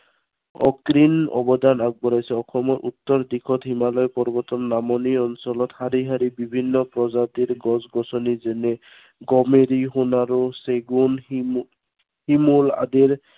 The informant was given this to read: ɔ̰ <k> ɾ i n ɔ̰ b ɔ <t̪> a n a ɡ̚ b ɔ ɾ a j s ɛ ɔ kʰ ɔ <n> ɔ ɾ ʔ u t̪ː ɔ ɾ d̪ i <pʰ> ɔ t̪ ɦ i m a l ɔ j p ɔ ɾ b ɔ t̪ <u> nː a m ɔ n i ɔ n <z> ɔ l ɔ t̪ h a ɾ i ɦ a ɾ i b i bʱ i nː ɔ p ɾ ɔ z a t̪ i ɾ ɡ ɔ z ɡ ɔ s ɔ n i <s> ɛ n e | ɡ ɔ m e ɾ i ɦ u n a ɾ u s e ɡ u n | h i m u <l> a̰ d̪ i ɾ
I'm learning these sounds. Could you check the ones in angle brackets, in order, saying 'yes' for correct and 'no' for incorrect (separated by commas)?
yes, no, no, no, no, no, no, yes